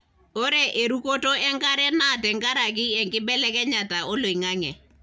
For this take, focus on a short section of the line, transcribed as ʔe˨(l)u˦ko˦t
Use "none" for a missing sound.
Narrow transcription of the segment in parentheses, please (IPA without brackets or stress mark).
ɾ